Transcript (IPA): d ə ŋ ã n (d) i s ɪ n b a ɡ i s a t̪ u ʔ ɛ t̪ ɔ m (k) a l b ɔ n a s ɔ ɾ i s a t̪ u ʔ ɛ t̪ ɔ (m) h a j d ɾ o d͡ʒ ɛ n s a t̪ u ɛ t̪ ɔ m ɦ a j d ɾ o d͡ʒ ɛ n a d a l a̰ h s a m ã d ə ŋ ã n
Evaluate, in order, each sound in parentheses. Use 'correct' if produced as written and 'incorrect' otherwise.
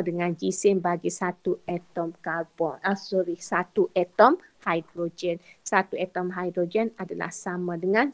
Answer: incorrect, correct, correct

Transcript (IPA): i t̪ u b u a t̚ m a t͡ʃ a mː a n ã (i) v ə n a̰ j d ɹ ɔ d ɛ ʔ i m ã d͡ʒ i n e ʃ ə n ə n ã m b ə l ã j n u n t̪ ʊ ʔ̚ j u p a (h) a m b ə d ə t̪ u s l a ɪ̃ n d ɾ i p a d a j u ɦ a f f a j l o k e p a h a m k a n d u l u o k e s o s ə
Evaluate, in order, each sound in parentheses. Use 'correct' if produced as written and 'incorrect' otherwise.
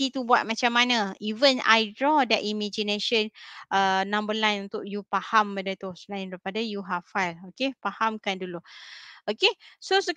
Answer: correct, correct

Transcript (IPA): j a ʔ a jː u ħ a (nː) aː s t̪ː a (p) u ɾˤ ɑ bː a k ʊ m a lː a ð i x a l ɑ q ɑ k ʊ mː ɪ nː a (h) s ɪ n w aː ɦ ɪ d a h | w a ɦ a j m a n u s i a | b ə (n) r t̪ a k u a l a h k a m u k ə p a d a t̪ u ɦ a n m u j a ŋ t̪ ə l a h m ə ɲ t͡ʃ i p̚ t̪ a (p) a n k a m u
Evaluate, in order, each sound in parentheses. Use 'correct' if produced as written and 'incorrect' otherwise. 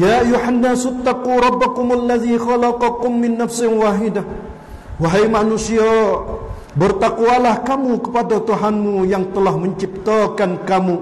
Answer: correct, incorrect, incorrect, incorrect, incorrect

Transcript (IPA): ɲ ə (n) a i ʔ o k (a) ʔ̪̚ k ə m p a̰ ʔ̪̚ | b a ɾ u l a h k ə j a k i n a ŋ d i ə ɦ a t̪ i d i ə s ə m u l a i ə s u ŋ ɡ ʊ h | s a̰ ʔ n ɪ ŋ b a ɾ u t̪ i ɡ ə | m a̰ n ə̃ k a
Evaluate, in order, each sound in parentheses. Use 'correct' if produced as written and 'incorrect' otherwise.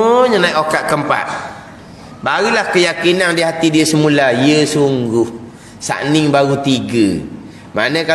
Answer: correct, correct

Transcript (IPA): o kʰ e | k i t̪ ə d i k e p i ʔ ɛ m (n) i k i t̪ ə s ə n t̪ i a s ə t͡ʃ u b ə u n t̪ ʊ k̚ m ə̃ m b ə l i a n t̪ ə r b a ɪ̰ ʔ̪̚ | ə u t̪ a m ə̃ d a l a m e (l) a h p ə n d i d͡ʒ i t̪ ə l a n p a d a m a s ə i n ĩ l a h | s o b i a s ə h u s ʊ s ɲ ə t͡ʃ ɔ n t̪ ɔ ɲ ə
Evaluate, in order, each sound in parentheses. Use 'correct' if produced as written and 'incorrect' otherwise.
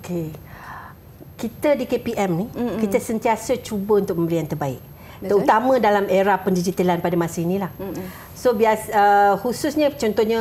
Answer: correct, incorrect

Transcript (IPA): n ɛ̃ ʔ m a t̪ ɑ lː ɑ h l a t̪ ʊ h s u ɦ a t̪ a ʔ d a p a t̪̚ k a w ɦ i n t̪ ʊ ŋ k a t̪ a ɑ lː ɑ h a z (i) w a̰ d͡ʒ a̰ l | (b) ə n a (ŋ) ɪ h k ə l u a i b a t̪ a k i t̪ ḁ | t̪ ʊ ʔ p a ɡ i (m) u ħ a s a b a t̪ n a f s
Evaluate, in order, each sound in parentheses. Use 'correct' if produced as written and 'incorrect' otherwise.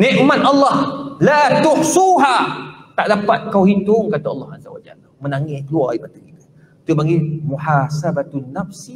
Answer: incorrect, incorrect, correct, correct

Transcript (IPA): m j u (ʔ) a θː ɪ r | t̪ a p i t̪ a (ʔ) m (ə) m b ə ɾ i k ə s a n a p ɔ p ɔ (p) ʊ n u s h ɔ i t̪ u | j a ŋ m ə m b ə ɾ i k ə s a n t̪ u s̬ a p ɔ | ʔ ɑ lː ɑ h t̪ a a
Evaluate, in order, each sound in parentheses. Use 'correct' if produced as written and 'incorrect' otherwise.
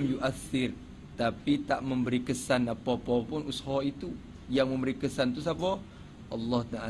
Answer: correct, correct, correct, correct

